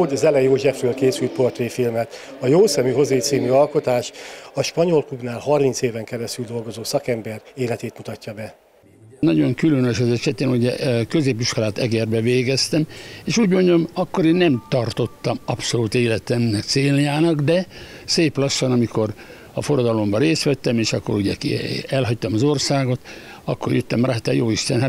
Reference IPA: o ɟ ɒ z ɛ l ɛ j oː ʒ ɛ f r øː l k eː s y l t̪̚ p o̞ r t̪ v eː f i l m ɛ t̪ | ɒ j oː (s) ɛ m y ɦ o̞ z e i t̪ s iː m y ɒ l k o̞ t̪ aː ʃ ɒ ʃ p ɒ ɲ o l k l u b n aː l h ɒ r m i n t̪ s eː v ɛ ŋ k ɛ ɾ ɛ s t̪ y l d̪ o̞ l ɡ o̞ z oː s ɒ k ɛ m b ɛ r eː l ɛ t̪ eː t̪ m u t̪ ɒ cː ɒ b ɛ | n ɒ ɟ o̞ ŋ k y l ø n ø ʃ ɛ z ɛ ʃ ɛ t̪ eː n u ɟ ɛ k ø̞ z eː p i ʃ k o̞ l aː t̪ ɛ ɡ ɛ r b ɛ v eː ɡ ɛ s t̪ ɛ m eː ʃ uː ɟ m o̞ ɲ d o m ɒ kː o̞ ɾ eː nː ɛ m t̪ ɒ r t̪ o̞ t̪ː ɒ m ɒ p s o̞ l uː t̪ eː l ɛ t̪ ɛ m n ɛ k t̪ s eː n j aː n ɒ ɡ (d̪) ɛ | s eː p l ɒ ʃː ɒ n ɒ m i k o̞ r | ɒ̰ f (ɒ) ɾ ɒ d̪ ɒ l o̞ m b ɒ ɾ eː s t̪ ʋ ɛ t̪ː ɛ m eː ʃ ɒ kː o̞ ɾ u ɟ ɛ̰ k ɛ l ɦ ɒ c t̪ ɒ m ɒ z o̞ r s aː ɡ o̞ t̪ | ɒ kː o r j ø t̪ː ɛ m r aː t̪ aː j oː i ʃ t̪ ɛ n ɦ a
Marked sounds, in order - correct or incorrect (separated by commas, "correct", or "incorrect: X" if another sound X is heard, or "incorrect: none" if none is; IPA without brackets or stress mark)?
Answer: correct, correct, incorrect: o